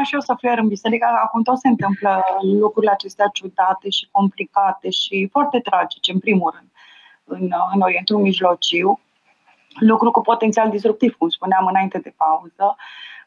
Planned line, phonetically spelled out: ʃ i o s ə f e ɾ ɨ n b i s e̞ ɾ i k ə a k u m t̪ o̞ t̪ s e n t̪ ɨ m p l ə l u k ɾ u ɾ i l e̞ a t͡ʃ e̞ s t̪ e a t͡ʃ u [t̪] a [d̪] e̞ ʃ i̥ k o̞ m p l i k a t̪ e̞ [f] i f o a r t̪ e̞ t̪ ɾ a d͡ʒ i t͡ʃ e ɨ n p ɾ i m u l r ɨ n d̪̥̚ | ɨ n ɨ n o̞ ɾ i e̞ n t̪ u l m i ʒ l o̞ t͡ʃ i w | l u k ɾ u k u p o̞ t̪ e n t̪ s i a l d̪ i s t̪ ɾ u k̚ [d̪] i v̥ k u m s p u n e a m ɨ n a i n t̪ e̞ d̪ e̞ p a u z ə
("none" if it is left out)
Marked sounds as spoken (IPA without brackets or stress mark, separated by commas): d̪, t̪, ʃ, t̪